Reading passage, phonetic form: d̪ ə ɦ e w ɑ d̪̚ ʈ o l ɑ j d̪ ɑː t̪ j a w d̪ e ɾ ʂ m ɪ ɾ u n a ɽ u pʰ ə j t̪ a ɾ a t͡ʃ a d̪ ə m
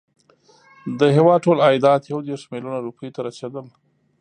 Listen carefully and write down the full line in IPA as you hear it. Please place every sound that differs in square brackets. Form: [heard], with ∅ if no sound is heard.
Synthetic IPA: d̪ ə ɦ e w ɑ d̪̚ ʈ o l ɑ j d̪ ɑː t̪ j a w d̪ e ɾ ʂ m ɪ [l] u n a [ɾ] u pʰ ə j t̪ a ɾ a t͡ʃ a d̪ ə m